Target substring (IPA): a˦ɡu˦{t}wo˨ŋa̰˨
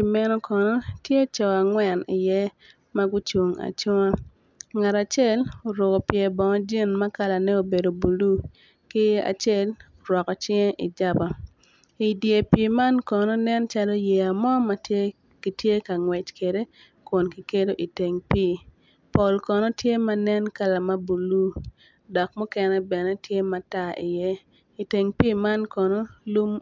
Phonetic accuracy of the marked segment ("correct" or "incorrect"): incorrect